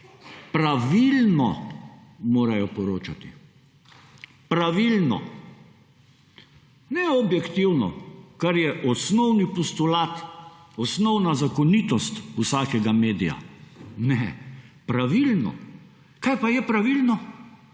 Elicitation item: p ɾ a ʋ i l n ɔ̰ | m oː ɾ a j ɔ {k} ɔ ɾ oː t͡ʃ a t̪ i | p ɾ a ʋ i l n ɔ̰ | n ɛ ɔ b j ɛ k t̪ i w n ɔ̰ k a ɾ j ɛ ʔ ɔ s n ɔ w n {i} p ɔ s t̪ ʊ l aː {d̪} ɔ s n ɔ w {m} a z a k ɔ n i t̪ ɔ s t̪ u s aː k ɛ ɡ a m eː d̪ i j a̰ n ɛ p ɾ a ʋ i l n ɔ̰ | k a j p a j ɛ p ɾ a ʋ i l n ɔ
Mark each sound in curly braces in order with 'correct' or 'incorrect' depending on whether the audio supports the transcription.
incorrect: p, correct, incorrect: t̪, incorrect: n

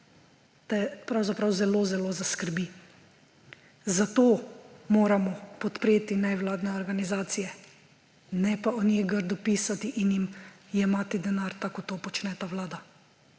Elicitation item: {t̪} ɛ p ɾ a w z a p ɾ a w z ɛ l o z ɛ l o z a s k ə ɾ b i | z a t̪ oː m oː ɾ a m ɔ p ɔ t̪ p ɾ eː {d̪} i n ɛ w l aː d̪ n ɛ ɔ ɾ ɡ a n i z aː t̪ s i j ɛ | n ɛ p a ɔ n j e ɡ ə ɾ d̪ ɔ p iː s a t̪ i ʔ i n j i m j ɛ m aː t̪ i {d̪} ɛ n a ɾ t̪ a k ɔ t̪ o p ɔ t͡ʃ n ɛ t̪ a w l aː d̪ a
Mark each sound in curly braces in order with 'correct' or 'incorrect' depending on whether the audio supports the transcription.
correct, incorrect: t̪, correct

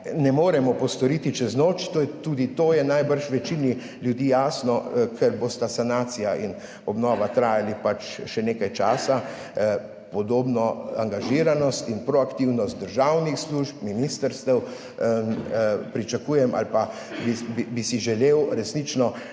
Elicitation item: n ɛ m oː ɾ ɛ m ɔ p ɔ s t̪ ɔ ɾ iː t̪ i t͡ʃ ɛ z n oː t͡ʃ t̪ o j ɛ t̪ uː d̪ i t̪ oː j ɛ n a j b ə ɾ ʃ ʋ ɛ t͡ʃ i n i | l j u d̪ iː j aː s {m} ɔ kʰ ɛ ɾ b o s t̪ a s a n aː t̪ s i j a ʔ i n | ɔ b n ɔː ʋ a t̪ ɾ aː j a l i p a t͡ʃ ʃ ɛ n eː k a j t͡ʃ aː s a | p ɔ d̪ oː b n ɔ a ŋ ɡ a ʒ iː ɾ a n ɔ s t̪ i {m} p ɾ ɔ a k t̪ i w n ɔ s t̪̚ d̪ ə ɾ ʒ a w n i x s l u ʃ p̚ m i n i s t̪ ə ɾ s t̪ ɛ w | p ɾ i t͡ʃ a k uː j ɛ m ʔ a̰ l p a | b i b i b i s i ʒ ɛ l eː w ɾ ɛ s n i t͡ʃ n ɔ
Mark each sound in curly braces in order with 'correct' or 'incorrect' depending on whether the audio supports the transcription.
incorrect: n, incorrect: n

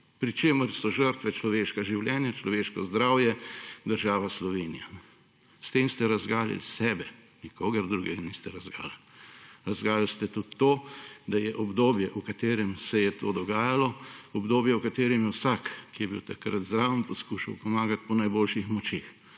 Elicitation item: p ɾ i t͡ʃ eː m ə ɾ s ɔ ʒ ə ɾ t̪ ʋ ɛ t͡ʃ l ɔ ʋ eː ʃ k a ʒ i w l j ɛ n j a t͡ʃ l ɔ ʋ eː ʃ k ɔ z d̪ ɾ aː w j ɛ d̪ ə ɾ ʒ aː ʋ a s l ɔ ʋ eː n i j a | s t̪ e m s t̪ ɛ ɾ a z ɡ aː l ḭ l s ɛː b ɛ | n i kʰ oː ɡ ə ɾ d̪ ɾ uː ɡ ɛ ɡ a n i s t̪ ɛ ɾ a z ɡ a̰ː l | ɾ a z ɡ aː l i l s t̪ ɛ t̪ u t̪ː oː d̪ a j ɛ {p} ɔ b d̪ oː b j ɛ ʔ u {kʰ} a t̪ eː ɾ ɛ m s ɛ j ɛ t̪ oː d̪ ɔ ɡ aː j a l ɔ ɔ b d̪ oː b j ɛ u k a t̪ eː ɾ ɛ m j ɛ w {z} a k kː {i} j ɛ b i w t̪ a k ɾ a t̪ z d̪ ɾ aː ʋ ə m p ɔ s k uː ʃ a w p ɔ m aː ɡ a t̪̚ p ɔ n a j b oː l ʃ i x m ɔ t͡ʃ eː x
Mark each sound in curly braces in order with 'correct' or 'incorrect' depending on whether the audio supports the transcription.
incorrect: ʔ, incorrect: k, incorrect: s, correct

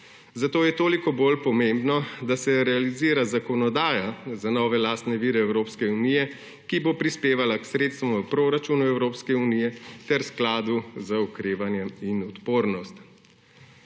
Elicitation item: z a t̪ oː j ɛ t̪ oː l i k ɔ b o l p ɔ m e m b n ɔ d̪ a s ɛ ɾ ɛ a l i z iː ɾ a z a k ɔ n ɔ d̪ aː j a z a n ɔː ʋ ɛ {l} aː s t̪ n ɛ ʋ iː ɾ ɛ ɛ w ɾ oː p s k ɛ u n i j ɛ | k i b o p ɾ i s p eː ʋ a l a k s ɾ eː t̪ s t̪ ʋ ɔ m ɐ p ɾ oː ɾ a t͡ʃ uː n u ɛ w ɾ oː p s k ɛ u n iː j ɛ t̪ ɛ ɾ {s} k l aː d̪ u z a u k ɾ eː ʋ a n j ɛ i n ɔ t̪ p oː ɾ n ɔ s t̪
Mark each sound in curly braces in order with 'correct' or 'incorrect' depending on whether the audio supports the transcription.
correct, correct

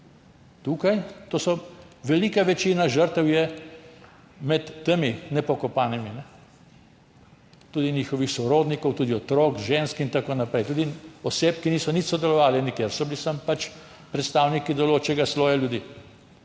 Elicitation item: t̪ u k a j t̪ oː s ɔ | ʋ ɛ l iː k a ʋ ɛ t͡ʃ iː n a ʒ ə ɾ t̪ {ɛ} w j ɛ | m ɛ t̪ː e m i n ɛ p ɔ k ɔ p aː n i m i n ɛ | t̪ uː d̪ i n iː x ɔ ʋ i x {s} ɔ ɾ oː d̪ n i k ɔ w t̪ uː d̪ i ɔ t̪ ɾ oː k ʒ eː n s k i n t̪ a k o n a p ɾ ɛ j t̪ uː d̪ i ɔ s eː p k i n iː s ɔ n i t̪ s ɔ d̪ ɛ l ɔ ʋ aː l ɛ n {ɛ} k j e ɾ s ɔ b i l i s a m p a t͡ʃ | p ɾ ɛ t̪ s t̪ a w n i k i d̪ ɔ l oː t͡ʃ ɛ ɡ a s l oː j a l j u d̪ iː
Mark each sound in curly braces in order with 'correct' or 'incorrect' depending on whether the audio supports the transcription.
correct, correct, incorrect: i

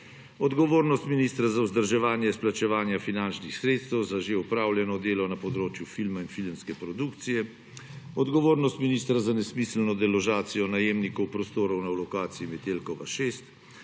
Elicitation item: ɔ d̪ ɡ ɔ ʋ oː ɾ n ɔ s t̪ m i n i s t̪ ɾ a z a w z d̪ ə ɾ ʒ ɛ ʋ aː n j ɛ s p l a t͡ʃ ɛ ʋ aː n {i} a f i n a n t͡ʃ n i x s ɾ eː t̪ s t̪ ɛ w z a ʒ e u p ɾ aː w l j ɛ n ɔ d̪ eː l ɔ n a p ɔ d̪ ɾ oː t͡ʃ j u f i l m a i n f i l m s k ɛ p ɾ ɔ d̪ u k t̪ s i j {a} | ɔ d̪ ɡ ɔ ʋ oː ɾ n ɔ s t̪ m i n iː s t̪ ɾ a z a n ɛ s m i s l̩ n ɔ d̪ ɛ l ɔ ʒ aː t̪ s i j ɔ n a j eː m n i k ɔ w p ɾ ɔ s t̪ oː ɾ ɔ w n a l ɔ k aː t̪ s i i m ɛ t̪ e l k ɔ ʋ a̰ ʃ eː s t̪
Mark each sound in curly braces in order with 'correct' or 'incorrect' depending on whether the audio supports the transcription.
incorrect: j, incorrect: ɛ

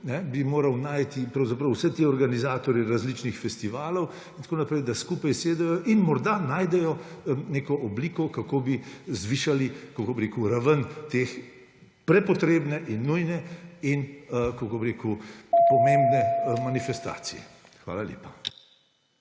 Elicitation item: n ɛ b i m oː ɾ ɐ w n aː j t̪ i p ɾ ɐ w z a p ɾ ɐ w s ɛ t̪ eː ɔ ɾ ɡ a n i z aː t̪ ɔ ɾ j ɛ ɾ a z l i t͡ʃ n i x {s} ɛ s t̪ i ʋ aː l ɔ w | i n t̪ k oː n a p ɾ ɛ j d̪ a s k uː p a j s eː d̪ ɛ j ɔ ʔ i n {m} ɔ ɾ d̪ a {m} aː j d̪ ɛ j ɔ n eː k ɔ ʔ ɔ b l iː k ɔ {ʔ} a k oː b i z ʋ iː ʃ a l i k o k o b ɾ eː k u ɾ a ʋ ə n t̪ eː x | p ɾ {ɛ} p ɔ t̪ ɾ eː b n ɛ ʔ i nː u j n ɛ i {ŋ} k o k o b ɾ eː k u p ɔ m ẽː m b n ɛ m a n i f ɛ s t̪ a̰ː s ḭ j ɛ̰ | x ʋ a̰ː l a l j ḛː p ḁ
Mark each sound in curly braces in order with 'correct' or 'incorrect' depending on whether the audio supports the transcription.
incorrect: f, correct, incorrect: n, incorrect: k, correct, incorrect: n

